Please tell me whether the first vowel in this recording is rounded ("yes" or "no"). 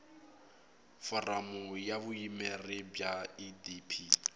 yes